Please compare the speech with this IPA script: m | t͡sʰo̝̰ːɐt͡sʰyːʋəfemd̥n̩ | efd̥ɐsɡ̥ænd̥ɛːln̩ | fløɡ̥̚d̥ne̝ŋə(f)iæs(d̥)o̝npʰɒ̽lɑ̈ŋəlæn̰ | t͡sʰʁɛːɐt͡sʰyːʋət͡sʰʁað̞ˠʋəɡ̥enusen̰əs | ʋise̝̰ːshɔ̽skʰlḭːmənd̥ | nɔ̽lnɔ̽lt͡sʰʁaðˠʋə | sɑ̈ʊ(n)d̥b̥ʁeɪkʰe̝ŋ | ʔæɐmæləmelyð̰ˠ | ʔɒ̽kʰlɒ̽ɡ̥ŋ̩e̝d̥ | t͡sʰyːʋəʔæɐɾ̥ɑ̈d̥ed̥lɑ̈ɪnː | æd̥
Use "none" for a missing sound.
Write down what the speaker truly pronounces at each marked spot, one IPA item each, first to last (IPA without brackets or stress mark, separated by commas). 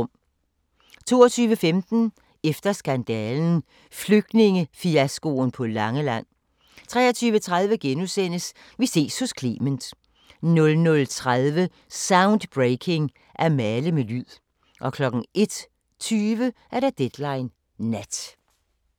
f, ɡ̥, n